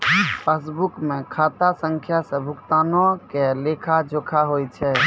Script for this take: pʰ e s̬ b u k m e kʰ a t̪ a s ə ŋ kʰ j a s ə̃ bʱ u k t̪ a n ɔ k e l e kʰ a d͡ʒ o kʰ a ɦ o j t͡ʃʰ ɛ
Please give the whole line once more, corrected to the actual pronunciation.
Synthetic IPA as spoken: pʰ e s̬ b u k m e kʰ a t̪ a s ə ŋ kʰ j a s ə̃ bʱ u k t̪ a n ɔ k e l e kʰ a d͡ʒ o kʰ a ɦ o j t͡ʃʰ ɛ